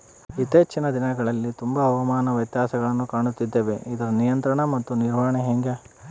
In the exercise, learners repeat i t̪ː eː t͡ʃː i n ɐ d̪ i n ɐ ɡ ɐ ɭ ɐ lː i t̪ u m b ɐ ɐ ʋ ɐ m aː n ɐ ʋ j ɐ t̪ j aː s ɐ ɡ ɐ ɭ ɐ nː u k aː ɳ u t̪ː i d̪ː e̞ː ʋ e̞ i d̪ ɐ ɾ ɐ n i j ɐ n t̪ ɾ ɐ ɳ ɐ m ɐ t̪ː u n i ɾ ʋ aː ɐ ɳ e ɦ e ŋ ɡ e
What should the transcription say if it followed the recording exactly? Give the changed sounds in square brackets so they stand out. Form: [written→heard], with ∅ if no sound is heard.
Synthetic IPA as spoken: i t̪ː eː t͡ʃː i n ɐ d̪ i n ɐ ɡ ɐ ɭ ɐ lː i t̪ u m b ɐ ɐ ʋ ɐ m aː n ɐ ʋ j ɐ t̪ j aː s ɐ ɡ ɐ ɭ ɐ nː u k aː ɳ u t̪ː i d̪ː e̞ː ʋ e̞ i d̪ ɐ ɾ ɐ n i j ɐ n t̪ ɾ ɐ ɳ ɐ m ɐ t̪ː u n i ɾ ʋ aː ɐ ɳ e ɦ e ŋ ɡ e